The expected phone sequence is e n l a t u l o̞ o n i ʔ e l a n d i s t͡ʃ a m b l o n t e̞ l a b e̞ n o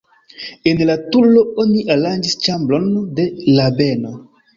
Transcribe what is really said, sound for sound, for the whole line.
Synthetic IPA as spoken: e n l a t u l o̞ o n i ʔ a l a n d͡ʒ i s t͡ʃ a m b l o n d e̞ l a b e̞ n o